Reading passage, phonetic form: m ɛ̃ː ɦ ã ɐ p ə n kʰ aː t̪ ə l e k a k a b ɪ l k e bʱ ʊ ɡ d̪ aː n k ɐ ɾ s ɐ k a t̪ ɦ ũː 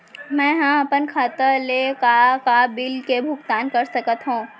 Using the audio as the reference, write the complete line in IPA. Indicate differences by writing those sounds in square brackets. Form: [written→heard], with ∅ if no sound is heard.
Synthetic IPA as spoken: m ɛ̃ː ɦ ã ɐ p ə n kʰ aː t̪ ə l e k a k a b ɪ l k e bʱ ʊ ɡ [d̪→t̪] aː n k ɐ ɾ s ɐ k [a→ə] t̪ ɦ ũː